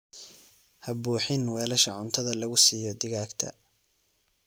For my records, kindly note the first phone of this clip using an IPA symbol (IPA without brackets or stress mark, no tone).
h